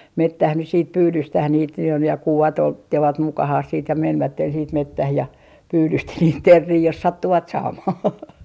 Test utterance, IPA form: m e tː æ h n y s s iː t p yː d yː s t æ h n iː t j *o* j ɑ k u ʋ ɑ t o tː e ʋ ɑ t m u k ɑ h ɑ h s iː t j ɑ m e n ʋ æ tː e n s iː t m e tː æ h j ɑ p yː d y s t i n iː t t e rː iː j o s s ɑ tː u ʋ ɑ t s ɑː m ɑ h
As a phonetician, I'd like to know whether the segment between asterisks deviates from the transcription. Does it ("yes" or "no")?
no